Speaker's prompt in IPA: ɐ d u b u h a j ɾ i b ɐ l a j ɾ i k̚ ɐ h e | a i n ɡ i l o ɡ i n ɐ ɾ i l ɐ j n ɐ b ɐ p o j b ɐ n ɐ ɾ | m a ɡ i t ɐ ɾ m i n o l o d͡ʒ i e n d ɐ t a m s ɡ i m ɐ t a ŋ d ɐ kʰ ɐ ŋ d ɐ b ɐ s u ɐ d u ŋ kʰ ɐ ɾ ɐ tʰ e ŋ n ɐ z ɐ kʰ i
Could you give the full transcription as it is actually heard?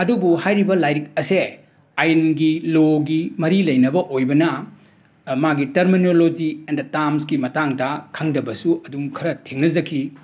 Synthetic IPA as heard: ɐ d u b u h a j ɾ i b ɐ l a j ɾ i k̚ ɐ s e | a j n ɡ i l o ɡ i m ɐ ɾ i l ɐ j n ɐ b ɐ ʔ o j b ɐ n ɐ | m a ɡ i t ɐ ɾ m i n o l o d͡ʒ i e n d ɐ t a m s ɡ i m ɐ t a ŋ d ɐ kʰ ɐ ŋ d ɐ b ɐ s u ɐ d u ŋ kʰ ɐ ɾ ɐ tʰ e ŋ n ɐ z ɐ kʰ i